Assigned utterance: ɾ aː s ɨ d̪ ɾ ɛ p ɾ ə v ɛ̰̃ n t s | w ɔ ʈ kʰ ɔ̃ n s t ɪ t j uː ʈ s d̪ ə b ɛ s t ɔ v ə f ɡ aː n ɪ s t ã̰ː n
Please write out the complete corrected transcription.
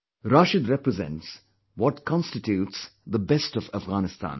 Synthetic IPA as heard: ɾ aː ʃ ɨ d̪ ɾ ɛ p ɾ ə z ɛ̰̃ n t s | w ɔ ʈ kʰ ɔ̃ n s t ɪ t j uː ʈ s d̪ ə b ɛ s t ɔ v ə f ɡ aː n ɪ s t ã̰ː n